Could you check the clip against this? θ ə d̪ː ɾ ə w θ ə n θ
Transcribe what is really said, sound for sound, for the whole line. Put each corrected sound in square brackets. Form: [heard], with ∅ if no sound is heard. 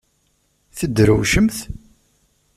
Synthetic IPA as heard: θ ə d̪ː ɾ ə w [ʃ] ə [m] θ